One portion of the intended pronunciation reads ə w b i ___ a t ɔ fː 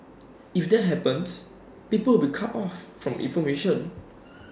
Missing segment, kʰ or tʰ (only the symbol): kʰ